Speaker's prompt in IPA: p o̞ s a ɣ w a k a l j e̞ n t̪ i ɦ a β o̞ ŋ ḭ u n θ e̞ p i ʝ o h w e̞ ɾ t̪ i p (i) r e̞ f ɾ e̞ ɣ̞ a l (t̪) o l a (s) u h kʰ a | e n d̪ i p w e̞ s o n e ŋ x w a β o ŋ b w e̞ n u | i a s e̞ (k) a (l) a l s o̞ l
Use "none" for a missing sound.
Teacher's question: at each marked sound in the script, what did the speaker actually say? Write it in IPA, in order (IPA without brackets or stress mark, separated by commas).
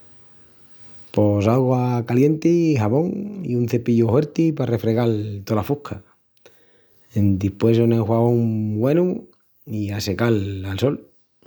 a, t̪, f, k, l